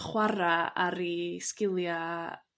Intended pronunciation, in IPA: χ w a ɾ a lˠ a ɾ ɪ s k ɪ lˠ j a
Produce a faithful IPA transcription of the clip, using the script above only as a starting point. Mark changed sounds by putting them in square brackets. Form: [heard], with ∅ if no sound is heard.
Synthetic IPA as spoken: χ w a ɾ a [∅] a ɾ [i] s k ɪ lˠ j a